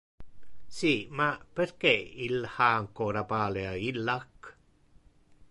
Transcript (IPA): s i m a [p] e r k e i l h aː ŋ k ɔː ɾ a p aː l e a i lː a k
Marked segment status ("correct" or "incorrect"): correct